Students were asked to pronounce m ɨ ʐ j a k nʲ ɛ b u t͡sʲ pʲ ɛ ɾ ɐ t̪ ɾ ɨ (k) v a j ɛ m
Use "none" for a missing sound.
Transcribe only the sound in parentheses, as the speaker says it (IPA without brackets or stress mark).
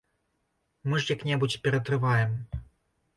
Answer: none